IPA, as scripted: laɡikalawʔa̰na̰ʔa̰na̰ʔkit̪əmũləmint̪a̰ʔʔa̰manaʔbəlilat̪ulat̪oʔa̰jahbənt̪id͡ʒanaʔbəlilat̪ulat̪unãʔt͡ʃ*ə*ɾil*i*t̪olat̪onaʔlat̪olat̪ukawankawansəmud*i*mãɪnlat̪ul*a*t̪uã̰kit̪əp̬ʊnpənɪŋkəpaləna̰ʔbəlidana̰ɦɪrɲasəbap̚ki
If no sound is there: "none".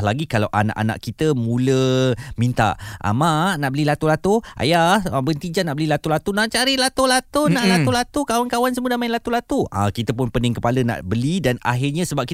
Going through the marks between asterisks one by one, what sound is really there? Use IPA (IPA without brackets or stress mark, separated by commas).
a, a, a, a